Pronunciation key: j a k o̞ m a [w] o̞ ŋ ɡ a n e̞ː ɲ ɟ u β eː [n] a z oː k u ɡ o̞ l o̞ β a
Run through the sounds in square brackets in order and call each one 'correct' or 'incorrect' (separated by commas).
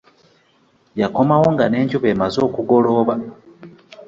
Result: correct, incorrect